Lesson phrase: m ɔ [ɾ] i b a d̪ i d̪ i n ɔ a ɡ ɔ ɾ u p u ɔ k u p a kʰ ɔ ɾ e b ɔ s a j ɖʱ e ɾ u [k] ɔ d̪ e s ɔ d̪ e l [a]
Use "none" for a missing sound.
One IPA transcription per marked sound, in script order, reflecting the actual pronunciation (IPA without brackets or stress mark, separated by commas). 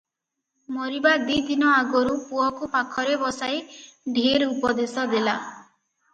ɾ, p, a